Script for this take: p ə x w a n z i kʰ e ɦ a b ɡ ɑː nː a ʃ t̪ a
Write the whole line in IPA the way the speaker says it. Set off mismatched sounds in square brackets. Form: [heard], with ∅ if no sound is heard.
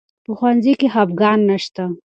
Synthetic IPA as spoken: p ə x w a n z i [k] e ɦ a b ɡ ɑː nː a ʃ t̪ a